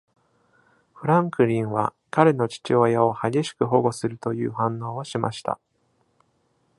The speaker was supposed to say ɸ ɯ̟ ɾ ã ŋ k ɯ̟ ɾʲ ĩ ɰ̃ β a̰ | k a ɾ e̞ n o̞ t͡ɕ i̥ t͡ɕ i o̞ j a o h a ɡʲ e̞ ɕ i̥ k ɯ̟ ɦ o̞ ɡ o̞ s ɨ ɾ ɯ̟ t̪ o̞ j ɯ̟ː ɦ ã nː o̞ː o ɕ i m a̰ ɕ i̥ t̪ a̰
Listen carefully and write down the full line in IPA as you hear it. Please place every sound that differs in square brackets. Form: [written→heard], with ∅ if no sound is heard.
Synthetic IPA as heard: ɸ ɯ̟ ɾ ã ŋ k ɯ̟ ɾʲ ĩ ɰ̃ β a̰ | k a ɾ e̞ n o̞ t͡ɕ i̥ t͡ɕ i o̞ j a o h a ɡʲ e̞ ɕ i̥ k ɯ̟ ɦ o̞ ɡ o̞ s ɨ ɾ ɯ̟ t̪ o̞ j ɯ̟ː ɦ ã nː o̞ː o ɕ i m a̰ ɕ i̥ t̪ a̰